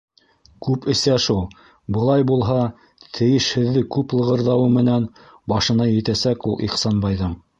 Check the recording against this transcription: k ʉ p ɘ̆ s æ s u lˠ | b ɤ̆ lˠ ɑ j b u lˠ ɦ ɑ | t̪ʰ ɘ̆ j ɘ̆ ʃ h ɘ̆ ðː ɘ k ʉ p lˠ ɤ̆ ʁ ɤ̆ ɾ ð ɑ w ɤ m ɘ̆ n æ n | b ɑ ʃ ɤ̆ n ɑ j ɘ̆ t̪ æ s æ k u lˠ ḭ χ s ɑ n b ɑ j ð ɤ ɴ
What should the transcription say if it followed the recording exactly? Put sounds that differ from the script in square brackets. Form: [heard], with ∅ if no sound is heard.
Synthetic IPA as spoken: k ʉ p ɘ̆ s æ [ʃ] u lˠ | b ɤ̆ lˠ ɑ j b u lˠ ɦ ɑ | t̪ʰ ɘ̆ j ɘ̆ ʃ h ɘ̆ ðː ɘ k ʉ p lˠ ɤ̆ ʁ ɤ̆ ɾ ð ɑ w ɤ m ɘ̆ n æ n | b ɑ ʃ ɤ̆ n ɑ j ɘ̆ t̪ æ s æ k u lˠ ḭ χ s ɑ n b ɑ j ð ɤ ɴ